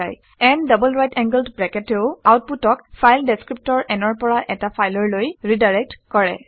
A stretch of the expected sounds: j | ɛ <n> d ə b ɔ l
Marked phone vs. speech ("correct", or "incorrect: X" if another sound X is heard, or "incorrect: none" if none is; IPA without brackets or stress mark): correct